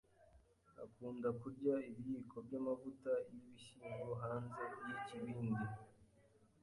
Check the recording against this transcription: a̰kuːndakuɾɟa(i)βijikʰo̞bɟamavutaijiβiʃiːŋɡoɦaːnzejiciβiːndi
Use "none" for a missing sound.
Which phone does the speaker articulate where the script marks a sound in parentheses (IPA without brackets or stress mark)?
i